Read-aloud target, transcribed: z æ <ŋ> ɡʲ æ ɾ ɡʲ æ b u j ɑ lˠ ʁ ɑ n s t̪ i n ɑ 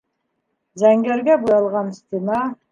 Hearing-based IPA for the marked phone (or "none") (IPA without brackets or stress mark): ŋ